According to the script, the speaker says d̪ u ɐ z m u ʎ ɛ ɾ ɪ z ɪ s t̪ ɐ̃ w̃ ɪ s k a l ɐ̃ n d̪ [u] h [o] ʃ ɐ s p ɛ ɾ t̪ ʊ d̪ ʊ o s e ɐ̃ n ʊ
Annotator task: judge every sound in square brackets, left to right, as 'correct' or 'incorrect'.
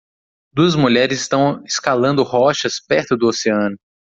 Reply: incorrect: ʊ, incorrect: ɔ

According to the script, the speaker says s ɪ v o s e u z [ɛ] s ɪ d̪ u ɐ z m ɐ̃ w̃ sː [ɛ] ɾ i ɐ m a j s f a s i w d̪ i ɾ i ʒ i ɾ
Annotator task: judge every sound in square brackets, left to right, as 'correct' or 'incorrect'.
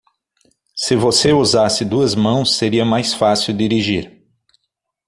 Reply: incorrect: a, incorrect: e

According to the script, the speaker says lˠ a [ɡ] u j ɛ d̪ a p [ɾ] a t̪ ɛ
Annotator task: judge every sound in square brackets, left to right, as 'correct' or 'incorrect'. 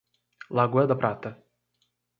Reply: correct, correct

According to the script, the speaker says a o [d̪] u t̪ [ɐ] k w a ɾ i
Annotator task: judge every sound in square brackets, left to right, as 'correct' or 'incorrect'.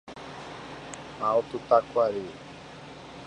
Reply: incorrect: t̪, incorrect: a

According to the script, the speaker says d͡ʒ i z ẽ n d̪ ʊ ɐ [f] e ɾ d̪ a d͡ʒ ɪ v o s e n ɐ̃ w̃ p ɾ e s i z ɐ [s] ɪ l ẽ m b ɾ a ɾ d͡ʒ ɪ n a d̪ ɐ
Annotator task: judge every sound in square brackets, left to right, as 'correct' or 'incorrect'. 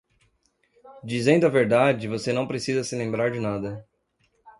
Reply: incorrect: v, correct

